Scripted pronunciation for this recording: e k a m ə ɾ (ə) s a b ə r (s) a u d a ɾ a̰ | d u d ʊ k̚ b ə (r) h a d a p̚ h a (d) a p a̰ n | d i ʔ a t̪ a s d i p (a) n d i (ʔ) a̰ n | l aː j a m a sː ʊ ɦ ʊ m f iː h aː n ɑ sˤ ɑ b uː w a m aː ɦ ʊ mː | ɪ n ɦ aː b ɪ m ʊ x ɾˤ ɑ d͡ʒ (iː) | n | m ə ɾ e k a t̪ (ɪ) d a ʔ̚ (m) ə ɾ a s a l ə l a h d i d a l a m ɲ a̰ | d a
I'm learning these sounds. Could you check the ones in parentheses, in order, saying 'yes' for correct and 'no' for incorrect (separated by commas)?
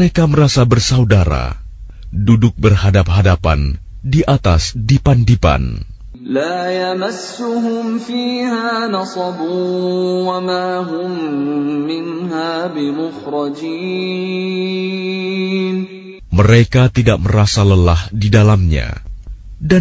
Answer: no, yes, yes, yes, yes, no, yes, no, yes